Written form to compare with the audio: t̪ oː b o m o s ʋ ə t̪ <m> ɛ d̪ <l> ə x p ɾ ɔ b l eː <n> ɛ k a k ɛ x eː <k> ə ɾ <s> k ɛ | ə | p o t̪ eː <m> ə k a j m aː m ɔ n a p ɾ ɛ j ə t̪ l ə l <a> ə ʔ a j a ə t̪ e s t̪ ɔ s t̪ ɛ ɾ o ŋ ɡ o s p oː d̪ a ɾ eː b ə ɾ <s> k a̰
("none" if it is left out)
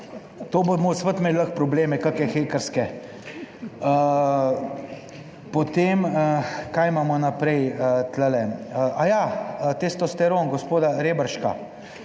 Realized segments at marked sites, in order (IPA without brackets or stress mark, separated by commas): m, l, m, k, s, m, ɛ, ʃ